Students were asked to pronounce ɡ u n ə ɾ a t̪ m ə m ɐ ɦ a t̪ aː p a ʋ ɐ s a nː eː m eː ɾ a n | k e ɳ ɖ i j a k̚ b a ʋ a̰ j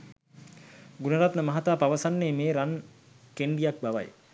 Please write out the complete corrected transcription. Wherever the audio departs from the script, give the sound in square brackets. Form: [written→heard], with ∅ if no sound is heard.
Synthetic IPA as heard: ɡ u n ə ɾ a t̪ [m→n] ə m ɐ ɦ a t̪ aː p a ʋ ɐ s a nː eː m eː ɾ a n | k e ɳ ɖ i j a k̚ b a ʋ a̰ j